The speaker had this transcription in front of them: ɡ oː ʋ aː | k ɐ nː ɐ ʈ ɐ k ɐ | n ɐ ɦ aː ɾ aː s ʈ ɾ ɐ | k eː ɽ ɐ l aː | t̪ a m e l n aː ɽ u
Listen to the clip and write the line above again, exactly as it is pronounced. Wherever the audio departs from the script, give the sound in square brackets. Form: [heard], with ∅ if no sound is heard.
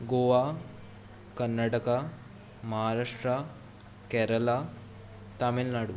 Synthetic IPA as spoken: ɡ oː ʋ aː | k ɐ nː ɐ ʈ ɐ k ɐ | [m] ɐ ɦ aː ɾ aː [ʂ] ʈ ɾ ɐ | k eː [ɾ] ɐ l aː | t̪ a m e l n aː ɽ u